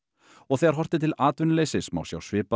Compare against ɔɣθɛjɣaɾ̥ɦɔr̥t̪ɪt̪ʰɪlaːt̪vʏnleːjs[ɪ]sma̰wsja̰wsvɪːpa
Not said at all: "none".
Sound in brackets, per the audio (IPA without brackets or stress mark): ɪ